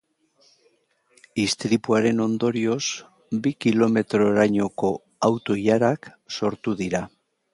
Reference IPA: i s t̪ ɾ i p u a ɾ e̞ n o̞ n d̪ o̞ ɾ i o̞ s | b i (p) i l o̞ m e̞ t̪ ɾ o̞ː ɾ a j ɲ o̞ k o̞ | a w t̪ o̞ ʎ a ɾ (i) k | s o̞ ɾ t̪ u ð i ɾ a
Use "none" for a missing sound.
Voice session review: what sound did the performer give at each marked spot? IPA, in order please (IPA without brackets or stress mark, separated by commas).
k, a